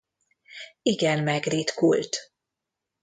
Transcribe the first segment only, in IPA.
i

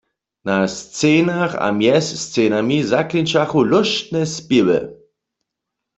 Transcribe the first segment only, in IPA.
n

